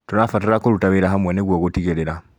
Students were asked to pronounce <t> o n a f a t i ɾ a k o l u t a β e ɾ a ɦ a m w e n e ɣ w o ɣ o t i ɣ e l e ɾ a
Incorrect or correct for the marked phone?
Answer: correct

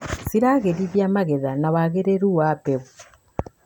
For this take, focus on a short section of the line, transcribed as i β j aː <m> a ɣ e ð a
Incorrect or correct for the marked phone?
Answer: correct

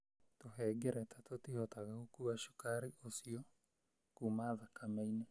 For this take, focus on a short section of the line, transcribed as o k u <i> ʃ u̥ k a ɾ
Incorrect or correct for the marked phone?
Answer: incorrect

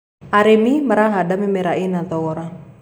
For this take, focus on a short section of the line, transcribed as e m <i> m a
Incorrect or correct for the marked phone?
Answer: correct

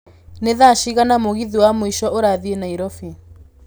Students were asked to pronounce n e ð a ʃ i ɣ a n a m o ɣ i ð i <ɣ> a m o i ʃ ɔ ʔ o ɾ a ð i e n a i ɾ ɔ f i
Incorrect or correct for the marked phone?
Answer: incorrect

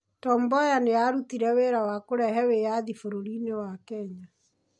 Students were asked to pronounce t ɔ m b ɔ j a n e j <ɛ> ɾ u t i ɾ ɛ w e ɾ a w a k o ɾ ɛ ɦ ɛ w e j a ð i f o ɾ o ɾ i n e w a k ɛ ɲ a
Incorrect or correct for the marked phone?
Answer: incorrect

